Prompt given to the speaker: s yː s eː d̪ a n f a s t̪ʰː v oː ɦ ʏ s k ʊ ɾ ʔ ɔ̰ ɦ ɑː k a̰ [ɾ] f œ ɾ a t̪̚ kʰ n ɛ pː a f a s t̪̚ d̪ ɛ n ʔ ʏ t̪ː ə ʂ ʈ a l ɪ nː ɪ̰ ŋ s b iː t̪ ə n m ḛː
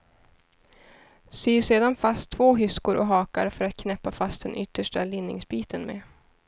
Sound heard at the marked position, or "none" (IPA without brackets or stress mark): ɾ